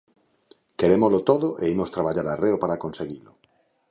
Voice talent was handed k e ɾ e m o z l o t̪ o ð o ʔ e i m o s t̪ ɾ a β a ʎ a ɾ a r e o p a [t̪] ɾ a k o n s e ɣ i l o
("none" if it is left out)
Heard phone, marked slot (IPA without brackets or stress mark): none